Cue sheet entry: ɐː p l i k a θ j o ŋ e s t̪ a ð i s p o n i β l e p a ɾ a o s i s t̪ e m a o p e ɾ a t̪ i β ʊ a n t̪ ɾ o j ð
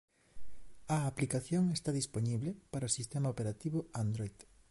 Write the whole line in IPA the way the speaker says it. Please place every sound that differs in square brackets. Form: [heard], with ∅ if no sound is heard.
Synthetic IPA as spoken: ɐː p l i k a θ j o ŋ e s t̪ a ð i s p o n i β l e p a ɾ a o s i s t̪ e m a o p e ɾ a t̪ i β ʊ a n [d̪] ɾ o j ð